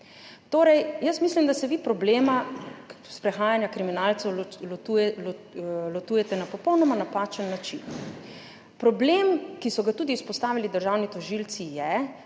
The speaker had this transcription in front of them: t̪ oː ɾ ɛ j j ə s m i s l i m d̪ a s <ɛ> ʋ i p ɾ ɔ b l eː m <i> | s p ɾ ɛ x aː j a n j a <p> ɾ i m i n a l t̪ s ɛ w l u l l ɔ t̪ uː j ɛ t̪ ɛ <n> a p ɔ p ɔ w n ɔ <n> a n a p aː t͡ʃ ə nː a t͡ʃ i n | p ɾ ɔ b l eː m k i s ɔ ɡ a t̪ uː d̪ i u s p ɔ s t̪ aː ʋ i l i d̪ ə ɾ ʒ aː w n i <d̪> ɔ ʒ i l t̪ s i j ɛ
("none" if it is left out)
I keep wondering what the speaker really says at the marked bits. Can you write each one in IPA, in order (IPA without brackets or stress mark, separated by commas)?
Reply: ɛ, a, k, n, m, t̪